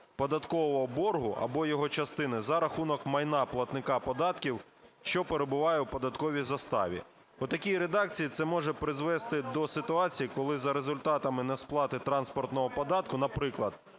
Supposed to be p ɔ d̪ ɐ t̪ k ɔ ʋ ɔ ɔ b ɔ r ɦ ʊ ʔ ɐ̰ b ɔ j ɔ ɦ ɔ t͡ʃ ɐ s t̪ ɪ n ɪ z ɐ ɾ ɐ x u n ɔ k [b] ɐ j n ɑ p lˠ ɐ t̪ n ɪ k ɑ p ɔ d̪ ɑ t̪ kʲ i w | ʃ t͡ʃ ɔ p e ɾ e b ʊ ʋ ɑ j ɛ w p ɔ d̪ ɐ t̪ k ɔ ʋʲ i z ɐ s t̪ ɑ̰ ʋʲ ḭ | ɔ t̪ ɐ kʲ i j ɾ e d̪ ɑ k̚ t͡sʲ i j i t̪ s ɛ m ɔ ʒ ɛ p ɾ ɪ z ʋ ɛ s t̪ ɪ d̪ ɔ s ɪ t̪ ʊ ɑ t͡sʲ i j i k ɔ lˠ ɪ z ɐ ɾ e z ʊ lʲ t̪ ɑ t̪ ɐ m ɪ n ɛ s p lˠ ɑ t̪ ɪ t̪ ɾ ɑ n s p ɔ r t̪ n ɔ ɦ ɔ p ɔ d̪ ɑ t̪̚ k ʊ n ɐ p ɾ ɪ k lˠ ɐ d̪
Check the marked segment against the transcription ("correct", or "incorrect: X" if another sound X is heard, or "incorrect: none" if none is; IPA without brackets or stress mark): incorrect: m